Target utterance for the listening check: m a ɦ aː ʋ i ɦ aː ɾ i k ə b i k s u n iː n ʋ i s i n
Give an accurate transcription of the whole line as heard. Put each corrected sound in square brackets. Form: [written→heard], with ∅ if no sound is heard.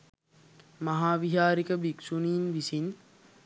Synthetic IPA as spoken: m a ɦ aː ʋ i ɦ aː ɾ i k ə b i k s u n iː n ʋ i s i n